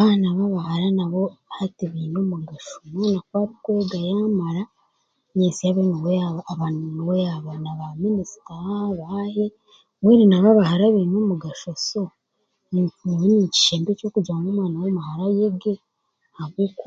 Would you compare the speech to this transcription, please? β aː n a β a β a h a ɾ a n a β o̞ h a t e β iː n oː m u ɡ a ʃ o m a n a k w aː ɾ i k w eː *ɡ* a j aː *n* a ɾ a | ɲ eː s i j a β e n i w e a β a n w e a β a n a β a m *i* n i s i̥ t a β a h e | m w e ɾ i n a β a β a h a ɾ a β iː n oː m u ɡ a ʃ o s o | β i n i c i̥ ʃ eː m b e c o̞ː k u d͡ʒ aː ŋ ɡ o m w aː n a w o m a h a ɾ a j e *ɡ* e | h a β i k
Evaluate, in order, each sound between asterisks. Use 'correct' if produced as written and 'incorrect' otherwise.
correct, incorrect: m, correct, correct

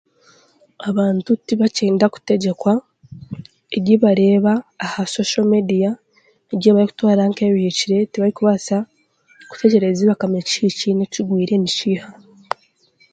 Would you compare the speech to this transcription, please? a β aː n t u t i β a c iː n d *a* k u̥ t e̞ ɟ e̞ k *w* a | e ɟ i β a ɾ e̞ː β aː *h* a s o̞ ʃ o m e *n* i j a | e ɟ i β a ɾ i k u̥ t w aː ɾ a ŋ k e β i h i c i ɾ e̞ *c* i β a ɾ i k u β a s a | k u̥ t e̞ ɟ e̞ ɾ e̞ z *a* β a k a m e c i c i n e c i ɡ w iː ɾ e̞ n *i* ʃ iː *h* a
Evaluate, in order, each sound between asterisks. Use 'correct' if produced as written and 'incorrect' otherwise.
correct, correct, correct, incorrect: d, incorrect: t, incorrect: i, correct, correct

